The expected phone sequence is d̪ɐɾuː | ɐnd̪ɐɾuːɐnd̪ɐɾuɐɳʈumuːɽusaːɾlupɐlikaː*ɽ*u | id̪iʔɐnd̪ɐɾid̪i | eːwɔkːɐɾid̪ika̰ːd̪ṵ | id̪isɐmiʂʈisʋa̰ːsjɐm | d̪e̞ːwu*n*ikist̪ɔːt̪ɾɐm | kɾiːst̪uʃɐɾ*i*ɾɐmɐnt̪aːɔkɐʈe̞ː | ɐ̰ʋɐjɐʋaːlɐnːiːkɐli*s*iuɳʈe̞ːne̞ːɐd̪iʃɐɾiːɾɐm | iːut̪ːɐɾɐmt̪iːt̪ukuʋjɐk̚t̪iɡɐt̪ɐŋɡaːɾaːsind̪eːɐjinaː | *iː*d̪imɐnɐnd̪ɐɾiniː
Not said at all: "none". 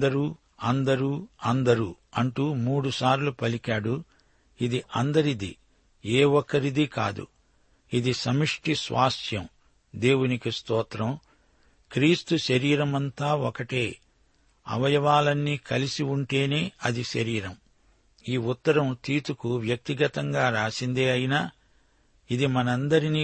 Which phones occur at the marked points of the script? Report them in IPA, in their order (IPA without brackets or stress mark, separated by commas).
ɽ, n, iː, s, i